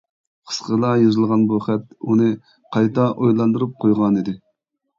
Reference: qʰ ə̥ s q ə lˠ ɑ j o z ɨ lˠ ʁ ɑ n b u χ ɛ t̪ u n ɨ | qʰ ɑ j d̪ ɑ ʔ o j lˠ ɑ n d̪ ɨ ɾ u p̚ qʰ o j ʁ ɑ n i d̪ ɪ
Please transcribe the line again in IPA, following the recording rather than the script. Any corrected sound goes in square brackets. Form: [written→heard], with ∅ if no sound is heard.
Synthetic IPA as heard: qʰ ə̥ s q ə lˠ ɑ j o z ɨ lˠ ʁ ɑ n b u χ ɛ t̪ u n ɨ | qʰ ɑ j [d̪→t̪] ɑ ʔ o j lˠ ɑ n d̪ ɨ ɾ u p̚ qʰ o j ʁ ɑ n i d̪ ɪ